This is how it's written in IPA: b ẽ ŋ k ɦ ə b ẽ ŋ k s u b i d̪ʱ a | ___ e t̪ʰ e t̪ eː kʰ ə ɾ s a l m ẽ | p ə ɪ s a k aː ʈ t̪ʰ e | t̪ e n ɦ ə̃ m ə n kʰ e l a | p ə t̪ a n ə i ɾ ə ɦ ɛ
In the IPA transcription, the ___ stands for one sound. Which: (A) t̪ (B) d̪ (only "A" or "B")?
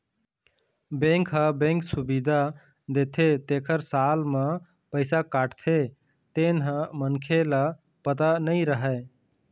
B